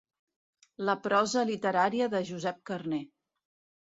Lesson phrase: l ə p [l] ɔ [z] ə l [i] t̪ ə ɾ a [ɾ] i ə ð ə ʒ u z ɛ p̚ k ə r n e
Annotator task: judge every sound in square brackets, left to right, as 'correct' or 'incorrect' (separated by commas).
incorrect, correct, correct, correct